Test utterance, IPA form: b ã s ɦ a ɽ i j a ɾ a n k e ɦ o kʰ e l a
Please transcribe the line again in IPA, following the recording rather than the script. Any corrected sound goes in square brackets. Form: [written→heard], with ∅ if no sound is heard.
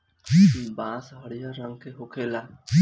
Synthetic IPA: b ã s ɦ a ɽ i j a ɾ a [n→ŋ] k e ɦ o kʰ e l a